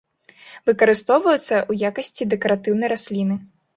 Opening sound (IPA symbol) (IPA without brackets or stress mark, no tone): v